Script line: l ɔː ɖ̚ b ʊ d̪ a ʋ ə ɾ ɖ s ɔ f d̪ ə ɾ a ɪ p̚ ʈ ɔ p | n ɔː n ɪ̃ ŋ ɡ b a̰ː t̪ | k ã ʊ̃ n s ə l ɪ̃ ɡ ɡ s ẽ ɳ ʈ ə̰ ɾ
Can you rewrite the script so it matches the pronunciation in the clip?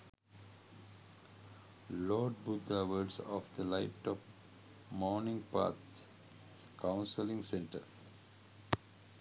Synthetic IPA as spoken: l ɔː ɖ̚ b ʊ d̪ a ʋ ə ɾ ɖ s ɔ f d̪ ə l a ɪ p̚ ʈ ɔ p | m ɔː n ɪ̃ ŋ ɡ p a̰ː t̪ | k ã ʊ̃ n s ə l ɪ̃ ŋ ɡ s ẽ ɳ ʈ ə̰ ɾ